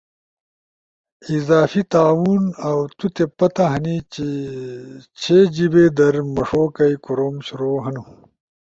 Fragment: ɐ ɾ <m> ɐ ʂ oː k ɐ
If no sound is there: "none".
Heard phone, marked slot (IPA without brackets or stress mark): m